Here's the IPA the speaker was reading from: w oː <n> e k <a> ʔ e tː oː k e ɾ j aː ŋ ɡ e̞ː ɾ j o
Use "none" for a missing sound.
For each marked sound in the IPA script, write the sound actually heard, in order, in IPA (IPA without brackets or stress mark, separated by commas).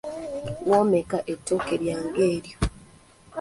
m, a